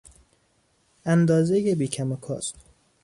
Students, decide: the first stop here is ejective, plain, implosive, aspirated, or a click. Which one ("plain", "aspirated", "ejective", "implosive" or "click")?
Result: plain